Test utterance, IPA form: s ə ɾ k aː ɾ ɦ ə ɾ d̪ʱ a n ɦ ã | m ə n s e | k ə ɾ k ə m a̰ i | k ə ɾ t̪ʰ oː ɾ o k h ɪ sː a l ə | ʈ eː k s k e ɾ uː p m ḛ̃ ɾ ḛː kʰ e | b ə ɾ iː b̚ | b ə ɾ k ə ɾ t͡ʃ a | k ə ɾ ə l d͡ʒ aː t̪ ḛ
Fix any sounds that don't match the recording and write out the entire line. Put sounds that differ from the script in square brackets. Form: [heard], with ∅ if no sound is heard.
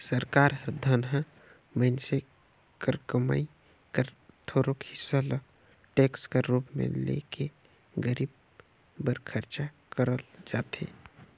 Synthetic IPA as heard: s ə ɾ k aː ɾ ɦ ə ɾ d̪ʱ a n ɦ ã | m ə n s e | k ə ɾ k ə m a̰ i | k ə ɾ t̪ʰ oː ɾ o k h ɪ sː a l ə | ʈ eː k s k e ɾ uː p m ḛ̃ [l] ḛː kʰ e | [ɡ] ə ɾ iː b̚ | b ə ɾ [kʰ] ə ɾ t͡ʃ a | k ə ɾ ə l d͡ʒ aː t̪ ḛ

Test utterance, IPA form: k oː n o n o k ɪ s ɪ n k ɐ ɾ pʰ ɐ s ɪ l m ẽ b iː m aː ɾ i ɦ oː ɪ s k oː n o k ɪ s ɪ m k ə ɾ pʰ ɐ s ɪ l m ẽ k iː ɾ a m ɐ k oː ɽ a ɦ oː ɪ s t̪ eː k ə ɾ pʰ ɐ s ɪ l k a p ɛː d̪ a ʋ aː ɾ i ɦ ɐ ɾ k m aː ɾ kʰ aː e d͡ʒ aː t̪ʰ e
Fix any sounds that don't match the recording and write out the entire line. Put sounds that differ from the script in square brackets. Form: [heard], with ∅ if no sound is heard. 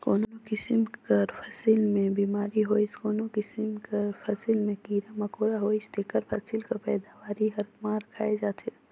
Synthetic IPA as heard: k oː n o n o k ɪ s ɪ [m] k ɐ ɾ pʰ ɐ s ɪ l m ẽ b iː m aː ɾ i ɦ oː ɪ s k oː n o k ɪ s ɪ m k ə ɾ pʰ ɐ s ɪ l m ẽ k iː ɾ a m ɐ k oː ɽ a ɦ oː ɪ s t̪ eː k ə ɾ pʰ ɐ s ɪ l k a p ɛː d̪ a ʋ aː ɾ i ɦ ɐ ɾ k m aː ɾ kʰ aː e d͡ʒ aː t̪ʰ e

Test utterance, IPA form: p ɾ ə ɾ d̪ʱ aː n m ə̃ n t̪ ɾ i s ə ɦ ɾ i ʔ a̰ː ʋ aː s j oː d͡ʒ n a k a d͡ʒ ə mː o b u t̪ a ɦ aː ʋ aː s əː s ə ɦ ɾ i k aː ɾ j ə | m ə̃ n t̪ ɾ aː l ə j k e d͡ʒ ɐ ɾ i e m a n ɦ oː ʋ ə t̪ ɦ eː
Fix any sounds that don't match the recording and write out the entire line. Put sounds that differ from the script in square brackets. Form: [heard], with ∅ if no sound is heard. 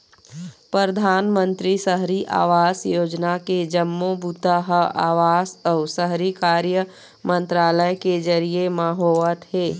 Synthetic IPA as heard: p ɾ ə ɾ d̪ʱ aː n m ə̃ n t̪ ɾ i s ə ɦ ɾ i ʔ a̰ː ʋ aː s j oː d͡ʒ n a k [e] d͡ʒ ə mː o b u t̪ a ɦ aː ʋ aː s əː s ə ɦ ɾ i k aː ɾ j ə | m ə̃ n t̪ ɾ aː l ə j k e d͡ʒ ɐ ɾ i e m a [∅] ɦ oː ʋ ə t̪ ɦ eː

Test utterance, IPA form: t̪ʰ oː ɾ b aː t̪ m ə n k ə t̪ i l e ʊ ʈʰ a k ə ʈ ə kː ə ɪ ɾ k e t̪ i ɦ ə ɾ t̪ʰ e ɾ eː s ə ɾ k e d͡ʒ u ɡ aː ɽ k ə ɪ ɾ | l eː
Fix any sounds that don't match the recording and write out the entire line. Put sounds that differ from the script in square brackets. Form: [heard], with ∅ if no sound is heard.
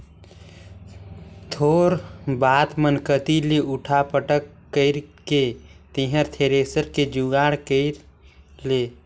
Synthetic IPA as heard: t̪ʰ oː ɾ b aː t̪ m ə n k ə t̪ i l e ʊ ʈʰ a [p] ə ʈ ə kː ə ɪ ɾ k e t̪ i ɦ ə ɾ t̪ʰ e ɾ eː s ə ɾ k e d͡ʒ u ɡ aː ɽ k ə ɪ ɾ | l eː

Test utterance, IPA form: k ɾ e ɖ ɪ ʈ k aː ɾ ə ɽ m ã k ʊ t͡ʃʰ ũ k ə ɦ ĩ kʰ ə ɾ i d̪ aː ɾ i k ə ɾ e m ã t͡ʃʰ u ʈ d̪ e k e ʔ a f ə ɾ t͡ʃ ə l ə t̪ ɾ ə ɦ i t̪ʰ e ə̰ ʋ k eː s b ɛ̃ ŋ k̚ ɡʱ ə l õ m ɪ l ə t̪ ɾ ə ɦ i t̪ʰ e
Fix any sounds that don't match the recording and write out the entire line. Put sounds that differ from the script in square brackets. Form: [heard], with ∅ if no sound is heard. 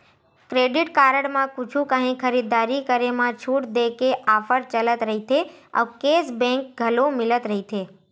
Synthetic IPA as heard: k ɾ e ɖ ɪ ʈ k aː ɾ ə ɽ m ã k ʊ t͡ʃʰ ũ k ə ɦ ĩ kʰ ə ɾ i d̪ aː ɾ i k ə ɾ e m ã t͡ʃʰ u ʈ d̪ e k e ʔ a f ə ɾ t͡ʃ ə l ə t̪ ɾ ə ɦ i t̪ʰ e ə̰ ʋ k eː s b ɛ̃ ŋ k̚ ɡʱ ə l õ m ɪ l ə t̪ ɾ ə ɦ i t̪ʰ e

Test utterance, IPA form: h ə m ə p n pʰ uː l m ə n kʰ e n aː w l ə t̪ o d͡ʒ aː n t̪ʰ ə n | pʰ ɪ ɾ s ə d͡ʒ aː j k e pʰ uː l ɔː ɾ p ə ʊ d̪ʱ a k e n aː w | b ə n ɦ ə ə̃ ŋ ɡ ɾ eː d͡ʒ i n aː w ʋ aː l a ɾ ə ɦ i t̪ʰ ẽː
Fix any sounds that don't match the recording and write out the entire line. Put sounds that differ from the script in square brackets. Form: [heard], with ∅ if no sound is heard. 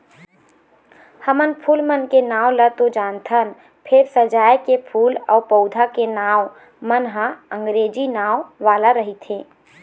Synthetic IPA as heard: h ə m ə [∅] n pʰ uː l m ə n [k] e n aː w l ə t̪ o d͡ʒ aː n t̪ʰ ə n | pʰ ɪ ɾ s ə d͡ʒ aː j k e pʰ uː l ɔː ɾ p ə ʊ d̪ʱ a k e n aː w | [m] ə n ɦ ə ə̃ ŋ ɡ ɾ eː d͡ʒ i n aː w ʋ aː l a ɾ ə ɦ i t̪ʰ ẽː

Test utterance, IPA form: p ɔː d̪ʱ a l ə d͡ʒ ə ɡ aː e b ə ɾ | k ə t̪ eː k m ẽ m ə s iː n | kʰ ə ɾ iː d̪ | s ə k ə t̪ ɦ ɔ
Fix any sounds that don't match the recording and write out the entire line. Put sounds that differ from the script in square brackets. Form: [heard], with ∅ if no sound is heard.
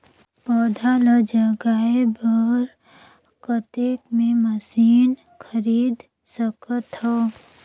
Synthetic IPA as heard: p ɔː d̪ʱ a l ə d͡ʒ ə ɡ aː e b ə ɾ | k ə t̪ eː k m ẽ m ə s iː n | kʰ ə ɾ iː d̪ | s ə k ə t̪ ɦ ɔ

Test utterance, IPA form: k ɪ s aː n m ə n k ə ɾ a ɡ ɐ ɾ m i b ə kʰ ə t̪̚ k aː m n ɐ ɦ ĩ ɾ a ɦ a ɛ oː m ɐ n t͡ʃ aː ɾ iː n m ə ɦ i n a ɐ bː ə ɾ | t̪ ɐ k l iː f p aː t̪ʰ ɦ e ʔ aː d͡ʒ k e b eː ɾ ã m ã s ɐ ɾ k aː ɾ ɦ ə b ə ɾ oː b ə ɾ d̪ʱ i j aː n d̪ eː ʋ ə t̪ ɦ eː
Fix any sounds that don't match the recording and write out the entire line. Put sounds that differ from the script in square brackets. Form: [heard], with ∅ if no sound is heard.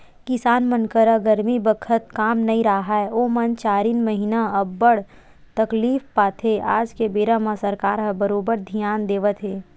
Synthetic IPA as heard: k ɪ s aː n m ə n k ə ɾ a ɡ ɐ ɾ m i b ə kʰ ə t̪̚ k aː m n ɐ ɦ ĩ ɾ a ɦ a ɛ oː m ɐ n t͡ʃ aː ɾ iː n m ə ɦ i n a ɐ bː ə [ɽ] | t̪ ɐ k l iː f p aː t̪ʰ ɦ e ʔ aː d͡ʒ k e b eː ɾ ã m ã s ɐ ɾ k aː ɾ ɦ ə b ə ɾ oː b ə ɾ d̪ʱ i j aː n d̪ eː ʋ ə t̪ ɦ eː

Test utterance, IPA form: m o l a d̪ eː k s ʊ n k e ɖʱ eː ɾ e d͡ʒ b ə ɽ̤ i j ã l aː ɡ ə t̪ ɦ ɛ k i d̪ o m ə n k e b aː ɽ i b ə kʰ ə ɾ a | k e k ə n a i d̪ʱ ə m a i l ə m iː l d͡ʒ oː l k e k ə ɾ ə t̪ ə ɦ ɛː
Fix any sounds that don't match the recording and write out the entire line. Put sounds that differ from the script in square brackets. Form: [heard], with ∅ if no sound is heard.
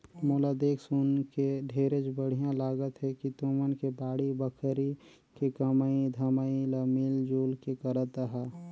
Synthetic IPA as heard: m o l a d̪ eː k s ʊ n k e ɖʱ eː ɾ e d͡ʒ b ə ɽ̤ i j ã l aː ɡ ə t̪ ɦ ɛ k i [t̪] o m ə n k e b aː ɽ i b ə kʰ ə ɾ [i] | k e k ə [m] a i d̪ʱ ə m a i l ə m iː l d͡ʒ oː l k e k ə ɾ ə t̪ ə ɦ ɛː

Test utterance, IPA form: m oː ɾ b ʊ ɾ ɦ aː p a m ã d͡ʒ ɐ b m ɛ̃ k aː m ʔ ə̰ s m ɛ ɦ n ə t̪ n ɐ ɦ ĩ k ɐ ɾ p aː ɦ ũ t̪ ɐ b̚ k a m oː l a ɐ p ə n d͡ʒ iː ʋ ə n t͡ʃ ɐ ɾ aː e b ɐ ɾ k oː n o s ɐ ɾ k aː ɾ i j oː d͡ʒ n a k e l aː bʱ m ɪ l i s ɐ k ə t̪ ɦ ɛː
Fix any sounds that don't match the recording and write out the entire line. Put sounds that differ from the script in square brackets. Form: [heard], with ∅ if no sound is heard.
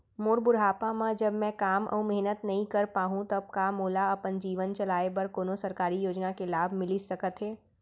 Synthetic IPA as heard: m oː ɾ b ʊ ɾ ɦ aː p a m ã d͡ʒ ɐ b m ɛ̃ k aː m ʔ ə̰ [∅] m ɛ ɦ n ə t̪ n ɐ ɦ ĩ k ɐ ɾ p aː ɦ ũ t̪ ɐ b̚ k a m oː l a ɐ p ə n d͡ʒ iː ʋ ə n t͡ʃ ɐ [l] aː e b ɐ ɾ k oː n o s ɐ ɾ k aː ɾ i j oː d͡ʒ n a k e l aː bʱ m ɪ l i s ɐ k ə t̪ ɦ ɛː

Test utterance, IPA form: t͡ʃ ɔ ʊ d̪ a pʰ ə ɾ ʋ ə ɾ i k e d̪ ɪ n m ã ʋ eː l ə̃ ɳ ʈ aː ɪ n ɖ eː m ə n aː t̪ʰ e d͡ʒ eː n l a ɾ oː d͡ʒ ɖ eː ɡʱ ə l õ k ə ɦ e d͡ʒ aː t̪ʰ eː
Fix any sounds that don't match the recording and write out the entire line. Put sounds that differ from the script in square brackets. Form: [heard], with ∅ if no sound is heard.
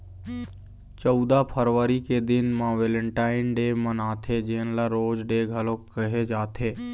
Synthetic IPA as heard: t͡ʃ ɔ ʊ d̪ a pʰ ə ɾ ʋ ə ɾ i k e d̪ ɪ n m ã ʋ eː l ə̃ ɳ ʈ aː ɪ n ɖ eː m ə n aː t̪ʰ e d͡ʒ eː n l a ɾ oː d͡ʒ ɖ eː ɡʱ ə l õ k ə ɦ e d͡ʒ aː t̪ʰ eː

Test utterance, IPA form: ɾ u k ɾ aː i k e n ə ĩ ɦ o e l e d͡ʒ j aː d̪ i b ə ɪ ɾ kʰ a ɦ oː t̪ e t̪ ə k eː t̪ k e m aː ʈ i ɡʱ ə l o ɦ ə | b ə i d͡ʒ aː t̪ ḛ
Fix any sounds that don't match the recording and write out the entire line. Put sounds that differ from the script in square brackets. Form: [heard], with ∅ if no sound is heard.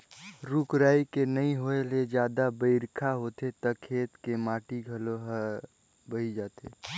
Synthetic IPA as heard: ɾ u k ɾ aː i k e n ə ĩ ɦ o e l e d͡ʒ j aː d̪ [a] b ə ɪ ɾ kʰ a ɦ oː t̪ e t̪ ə [kʰ] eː t̪ k e m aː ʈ i ɡʱ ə l o ɦ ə | b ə i d͡ʒ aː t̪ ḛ

